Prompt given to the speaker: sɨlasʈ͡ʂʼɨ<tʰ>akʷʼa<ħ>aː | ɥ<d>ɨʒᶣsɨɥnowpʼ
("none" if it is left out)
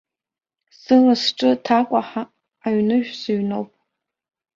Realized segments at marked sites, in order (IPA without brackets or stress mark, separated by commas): tʰ, ħ, n